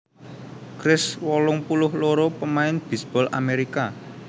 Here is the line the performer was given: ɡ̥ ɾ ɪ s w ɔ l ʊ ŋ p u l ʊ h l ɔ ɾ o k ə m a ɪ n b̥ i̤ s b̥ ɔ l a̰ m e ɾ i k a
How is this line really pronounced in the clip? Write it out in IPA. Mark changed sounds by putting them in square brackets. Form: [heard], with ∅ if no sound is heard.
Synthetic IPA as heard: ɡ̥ ɾ ɪ s w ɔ l ʊ ŋ p u l ʊ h l [o] ɾ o [p] ə m a ɪ n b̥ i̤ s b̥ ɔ l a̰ m e ɾ i k a